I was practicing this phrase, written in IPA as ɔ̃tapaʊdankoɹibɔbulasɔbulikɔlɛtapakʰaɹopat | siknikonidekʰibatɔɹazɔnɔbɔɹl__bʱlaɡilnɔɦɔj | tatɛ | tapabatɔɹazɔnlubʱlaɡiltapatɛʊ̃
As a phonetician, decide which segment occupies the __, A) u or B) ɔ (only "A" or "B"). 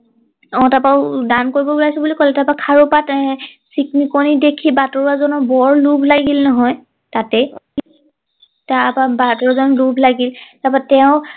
A